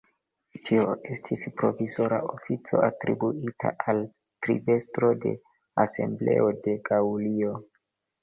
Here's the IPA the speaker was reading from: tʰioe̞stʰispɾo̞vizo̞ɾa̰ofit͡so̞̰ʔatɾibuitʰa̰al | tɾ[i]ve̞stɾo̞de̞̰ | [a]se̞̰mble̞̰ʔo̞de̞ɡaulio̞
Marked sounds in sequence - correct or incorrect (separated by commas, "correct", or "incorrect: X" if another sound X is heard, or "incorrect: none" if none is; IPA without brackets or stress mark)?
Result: correct, correct